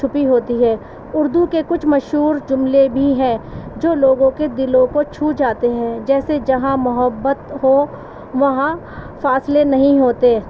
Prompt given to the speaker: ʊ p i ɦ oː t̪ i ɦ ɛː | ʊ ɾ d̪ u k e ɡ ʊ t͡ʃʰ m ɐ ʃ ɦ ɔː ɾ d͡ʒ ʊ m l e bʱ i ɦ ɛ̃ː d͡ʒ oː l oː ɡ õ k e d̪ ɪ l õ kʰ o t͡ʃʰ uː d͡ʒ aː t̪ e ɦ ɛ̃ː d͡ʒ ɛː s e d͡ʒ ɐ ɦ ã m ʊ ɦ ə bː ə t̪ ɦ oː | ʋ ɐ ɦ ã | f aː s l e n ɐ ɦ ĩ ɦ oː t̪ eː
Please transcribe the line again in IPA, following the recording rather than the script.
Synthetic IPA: ʊ p i ɦ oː t̪ i ɦ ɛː | ʊ ɾ d̪ u k e k ʊ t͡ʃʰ m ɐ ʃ ɦ uː ɾ d͡ʒ ʊ m l e bʱ i ɦ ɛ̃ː d͡ʒ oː l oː ɡ õ k e d̪ ɪ l õ k o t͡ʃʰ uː d͡ʒ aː t̪ e ɦ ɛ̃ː d͡ʒ ɛː s e d͡ʒ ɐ ɦ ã m ʊ ɦ ə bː ə t̪ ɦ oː | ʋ ɐ ɦ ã | f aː s l e n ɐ ɦ ĩ ɦ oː t̪ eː

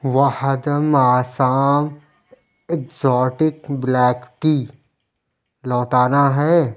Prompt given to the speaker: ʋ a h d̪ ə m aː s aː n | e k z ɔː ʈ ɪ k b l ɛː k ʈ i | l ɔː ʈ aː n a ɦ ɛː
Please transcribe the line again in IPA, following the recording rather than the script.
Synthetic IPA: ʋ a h d̪ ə m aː s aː m | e k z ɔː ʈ ɪ k b l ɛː k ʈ i | l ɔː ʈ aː n a ɦ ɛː

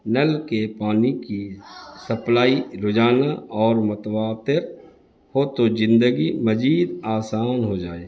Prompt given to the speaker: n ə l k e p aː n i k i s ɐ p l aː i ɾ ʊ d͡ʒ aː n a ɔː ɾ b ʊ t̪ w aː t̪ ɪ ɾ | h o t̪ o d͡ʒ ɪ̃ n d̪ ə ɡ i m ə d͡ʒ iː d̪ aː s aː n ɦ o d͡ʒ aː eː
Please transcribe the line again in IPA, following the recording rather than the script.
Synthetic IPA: n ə l k e p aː n i k i s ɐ p l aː i ɾ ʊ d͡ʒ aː n a ɔː ɾ m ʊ t̪ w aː t̪ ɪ ɾ | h o t̪ o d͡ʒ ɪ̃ n d̪ ə ɡ i m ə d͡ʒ iː d̪ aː s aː n ɦ o d͡ʒ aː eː

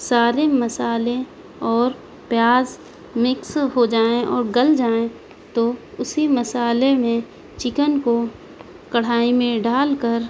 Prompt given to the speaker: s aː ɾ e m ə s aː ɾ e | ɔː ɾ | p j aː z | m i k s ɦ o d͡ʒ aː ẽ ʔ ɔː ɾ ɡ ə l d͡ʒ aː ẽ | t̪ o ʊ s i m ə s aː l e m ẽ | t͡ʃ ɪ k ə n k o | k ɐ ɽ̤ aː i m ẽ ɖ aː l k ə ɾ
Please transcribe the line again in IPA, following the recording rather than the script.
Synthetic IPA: s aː ɾ e m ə s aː l e | ɔː ɾ | p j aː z | m ɪ k s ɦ o d͡ʒ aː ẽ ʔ ɔː ɾ ɡ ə l d͡ʒ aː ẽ | t̪ o ʊ s i m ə s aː l e m ẽ | t͡ʃ ɪ k ə n k o | k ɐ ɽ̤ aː i m ẽ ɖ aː l k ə ɾ

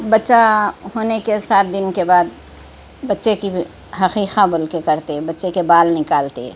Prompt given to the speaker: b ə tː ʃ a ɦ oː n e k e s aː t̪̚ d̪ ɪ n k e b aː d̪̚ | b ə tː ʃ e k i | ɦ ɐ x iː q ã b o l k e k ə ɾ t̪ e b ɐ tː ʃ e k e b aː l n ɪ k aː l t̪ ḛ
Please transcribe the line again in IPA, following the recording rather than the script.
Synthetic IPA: b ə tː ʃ a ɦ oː n e k e s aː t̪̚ d̪ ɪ n k e b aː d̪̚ | b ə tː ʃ e k i | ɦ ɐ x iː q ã b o l k e k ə ɾ t̪ e b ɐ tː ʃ e k e b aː l n ɪ k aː l t̪ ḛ

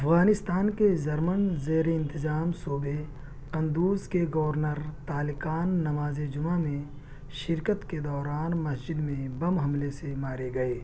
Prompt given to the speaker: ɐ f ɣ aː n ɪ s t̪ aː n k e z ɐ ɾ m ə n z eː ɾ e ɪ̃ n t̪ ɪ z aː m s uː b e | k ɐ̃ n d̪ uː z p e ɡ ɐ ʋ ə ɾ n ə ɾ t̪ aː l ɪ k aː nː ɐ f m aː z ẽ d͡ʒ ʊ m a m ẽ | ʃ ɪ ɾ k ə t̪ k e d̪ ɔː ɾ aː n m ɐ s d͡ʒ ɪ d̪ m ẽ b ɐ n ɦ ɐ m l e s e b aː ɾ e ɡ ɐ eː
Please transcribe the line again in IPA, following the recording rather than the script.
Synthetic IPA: ɐ f ɣ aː n ɪ s t̪ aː n k e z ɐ ɾ m ə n z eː ɾ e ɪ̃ n t̪ ɪ z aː m s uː b e | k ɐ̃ n d̪ uː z k e ɡ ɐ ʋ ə ɾ n ə ɾ t̪ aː l ɪ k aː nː ɐ m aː z e d͡ʒ ʊ m a m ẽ | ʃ ɪ ɾ k ə t̪ k e d̪ ɔː ɾ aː n m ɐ s d͡ʒ ɪ d̪ m ẽ b ɐ m ɦ ɐ m l e s e m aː ɾ e ɡ ɐ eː

